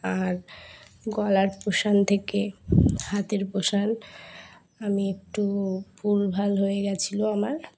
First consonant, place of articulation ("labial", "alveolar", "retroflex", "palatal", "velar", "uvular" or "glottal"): alveolar